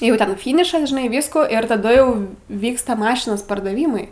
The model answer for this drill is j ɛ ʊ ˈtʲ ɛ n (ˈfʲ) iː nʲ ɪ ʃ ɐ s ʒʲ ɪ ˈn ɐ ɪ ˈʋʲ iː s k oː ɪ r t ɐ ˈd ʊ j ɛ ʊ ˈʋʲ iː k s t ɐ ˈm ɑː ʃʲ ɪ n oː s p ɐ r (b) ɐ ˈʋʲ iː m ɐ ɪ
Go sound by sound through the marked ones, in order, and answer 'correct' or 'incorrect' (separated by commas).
correct, incorrect